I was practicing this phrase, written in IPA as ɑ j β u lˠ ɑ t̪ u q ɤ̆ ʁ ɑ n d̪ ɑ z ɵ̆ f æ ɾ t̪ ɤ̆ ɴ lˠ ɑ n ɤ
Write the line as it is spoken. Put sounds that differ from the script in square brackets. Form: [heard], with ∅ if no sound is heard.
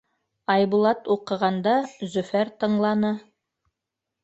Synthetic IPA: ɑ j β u lˠ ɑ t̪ u q ɤ̆ ʁ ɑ n d̪ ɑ z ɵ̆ f æ ɾ t̪ ɤ̆ ɴ lˠ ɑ n ɤ